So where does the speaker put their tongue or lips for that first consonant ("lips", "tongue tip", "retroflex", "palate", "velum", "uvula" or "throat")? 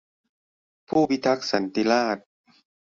lips